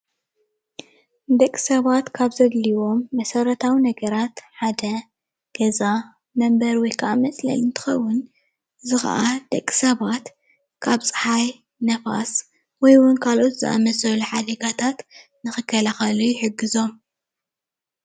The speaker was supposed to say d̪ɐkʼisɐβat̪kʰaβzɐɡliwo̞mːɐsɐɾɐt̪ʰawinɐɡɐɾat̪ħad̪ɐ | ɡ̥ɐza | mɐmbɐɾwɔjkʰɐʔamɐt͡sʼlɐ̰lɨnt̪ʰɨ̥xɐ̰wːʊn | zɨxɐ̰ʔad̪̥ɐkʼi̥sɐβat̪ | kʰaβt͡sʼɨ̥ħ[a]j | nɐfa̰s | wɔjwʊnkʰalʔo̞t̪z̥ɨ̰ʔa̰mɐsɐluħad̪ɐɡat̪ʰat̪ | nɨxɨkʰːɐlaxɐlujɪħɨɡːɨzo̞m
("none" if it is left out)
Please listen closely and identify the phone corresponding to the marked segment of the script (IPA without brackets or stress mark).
a